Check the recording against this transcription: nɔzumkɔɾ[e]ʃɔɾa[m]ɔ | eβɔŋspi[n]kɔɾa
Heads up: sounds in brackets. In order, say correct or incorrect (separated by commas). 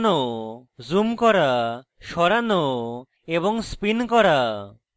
incorrect, incorrect, correct